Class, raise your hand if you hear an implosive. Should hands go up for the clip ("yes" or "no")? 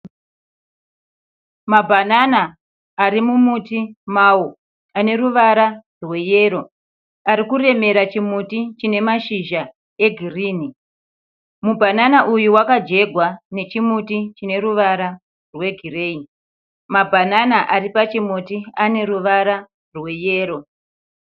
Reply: no